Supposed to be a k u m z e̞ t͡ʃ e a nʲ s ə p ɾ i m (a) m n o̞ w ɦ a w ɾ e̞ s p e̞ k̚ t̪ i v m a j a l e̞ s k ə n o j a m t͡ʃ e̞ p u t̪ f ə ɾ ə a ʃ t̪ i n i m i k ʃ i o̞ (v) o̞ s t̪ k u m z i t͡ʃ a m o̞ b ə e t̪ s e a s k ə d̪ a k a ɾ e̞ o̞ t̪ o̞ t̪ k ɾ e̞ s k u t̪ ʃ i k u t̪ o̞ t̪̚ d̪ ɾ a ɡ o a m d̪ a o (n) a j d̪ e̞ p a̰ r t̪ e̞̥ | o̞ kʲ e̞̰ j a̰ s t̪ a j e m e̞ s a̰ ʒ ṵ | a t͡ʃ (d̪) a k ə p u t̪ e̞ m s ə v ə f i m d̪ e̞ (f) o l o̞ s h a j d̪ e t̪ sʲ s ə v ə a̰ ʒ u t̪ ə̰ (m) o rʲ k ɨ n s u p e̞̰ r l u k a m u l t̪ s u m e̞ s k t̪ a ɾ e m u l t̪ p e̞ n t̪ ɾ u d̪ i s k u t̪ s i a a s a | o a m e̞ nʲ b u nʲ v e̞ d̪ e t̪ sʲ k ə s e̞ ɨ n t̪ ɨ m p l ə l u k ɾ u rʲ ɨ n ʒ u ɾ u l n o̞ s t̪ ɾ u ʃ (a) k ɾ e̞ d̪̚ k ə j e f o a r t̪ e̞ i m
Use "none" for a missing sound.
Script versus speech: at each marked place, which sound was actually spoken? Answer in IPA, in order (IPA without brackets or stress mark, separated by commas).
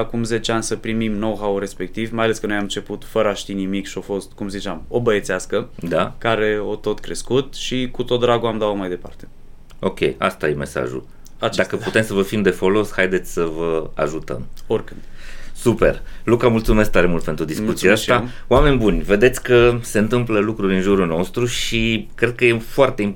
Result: i, f, m, d̪, f, m, i